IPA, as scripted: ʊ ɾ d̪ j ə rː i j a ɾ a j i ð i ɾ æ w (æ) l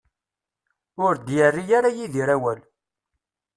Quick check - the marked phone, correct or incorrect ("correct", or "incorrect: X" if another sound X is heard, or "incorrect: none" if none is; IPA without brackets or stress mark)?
correct